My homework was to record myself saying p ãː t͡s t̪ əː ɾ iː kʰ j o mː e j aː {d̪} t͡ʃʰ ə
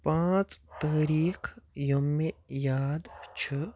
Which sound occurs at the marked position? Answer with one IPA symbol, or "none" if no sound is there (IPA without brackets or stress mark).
d̪